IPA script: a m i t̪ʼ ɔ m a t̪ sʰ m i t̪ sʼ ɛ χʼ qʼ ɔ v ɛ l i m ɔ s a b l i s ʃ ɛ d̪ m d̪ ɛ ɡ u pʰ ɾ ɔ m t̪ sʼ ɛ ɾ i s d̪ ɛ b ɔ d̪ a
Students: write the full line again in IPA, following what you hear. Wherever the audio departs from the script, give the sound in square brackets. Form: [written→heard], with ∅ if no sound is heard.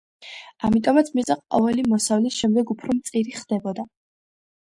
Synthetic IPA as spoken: a m i t̪ʼ ɔ m a t̪ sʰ m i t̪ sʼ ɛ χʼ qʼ ɔ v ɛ l i m ɔ s a [b→v] l i s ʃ ɛ [d̪→∅] m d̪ ɛ ɡ u pʰ ɾ ɔ m t̪ sʼ [ɛ→i] ɾ i [s→χ] d̪ ɛ b ɔ d̪ a

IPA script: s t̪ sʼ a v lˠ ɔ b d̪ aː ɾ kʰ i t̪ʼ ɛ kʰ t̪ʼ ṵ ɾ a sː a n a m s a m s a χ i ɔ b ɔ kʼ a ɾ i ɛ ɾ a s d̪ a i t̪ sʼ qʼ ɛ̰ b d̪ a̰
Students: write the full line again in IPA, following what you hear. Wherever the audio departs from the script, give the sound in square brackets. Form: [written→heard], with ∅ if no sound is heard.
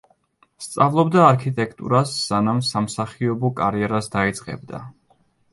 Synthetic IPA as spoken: s t̪ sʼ a v lˠ ɔ b d̪ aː ɾ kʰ i t̪ʼ ɛ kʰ t̪ʼ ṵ ɾ a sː a n a m s a m s a χ i ɔ b ɔ kʼ a ɾ i ɛ ɾ a s d̪ a i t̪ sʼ qʼ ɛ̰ b d̪ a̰

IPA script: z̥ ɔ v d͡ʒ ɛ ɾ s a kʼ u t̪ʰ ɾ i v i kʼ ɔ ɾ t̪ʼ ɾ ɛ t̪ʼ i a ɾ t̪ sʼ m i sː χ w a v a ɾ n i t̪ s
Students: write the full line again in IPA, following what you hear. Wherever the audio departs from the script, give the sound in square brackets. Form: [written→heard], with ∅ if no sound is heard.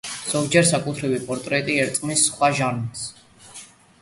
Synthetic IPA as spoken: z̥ ɔ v d͡ʒ ɛ ɾ s a kʼ u t̪ʰ ɾ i v i [kʼ→pʼ] ɔ ɾ t̪ʼ ɾ ɛ t̪ʼ i [a→ɛ] ɾ t̪ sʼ m i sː χ w a [v→ʒ] a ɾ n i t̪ s

